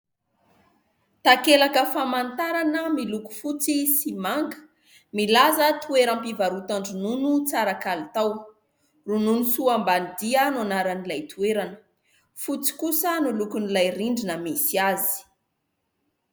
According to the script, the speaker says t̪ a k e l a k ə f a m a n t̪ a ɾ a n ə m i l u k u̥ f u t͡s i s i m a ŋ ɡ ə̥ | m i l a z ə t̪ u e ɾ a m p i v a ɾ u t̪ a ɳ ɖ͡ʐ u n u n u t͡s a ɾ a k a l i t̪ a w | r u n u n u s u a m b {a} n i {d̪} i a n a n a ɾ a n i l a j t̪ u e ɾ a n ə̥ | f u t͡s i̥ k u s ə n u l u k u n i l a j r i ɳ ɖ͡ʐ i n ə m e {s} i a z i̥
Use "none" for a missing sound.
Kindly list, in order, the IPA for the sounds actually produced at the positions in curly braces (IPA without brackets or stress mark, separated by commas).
a, d̪, s